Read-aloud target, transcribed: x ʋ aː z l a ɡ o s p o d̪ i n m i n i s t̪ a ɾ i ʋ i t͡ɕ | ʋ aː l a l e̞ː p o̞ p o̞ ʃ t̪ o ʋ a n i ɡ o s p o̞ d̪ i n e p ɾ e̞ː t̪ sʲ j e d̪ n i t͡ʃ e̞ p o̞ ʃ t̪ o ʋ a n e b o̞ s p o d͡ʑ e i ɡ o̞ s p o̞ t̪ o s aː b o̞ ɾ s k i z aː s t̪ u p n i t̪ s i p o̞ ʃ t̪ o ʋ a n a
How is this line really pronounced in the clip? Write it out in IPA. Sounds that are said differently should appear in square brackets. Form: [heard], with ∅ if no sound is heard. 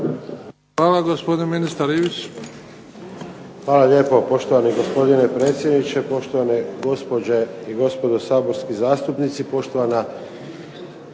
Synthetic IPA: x ʋ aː [∅] l a ɡ o s p o d̪ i n m i n i s t̪ a ɾ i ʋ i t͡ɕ | ʋ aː l a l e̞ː p o̞ p o̞ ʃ t̪ o ʋ a n i ɡ o s p o̞ d̪ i n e p ɾ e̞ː t̪ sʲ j e d̪ n i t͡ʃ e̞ p o̞ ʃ t̪ o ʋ a n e [ɡ] o̞ s p o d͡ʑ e i ɡ o̞ s p o̞ [d̪] o s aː b o̞ ɾ s k i z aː s t̪ u p n i t̪ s i p o̞ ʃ t̪ o ʋ a n a